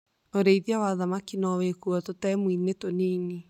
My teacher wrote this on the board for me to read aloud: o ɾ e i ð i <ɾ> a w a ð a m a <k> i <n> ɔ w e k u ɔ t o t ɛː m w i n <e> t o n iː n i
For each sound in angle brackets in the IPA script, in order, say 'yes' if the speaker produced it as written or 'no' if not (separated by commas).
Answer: no, yes, yes, yes